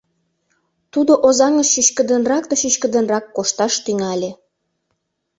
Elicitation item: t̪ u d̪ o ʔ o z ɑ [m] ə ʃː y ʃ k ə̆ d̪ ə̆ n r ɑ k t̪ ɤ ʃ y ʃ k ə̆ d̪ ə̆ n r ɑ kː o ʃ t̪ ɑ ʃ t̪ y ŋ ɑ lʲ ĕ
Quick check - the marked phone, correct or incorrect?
incorrect